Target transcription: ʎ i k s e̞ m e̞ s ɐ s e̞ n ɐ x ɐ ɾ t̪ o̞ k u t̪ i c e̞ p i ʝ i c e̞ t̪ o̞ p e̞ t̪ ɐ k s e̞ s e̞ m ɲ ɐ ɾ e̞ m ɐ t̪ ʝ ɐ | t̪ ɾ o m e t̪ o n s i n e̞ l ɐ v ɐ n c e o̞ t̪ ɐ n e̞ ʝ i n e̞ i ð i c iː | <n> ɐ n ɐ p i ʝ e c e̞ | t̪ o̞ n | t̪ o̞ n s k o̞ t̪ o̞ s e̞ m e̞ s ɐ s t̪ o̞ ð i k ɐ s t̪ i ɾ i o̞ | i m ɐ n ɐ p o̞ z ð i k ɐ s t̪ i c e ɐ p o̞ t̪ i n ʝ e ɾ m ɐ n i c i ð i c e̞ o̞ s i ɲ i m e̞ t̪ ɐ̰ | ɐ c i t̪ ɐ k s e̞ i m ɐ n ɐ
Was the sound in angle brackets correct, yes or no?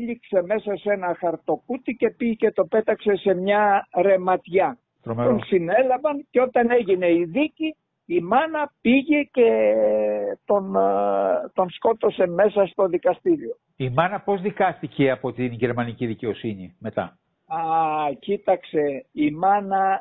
no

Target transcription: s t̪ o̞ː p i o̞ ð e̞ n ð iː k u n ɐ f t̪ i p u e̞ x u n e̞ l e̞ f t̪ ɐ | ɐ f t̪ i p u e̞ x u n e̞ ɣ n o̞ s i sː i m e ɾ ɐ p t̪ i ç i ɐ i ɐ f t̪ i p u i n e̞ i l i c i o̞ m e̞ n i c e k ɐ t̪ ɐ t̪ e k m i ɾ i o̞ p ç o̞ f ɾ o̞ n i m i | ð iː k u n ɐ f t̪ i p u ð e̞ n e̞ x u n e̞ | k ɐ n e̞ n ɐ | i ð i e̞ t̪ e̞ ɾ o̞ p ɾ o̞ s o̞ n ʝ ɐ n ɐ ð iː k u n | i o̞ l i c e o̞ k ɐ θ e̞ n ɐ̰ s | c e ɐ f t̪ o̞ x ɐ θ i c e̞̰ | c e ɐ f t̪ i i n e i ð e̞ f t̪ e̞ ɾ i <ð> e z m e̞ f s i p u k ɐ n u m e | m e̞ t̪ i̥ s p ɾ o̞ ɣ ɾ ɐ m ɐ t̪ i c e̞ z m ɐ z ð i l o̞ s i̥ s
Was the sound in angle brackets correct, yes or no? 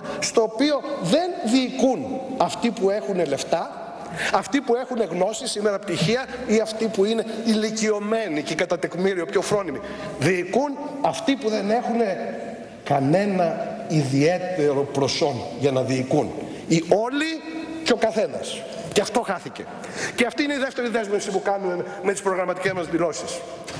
yes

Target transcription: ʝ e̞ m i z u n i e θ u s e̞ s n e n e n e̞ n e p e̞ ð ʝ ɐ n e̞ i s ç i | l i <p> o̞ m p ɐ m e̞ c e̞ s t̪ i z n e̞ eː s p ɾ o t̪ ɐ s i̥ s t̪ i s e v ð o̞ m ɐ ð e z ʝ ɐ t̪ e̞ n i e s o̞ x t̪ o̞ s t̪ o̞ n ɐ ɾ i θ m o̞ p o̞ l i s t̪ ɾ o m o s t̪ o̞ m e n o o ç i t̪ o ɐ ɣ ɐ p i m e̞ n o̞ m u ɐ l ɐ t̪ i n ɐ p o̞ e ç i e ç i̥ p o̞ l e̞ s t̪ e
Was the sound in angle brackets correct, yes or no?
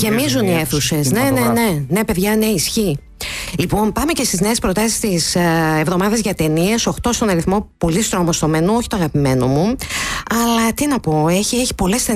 yes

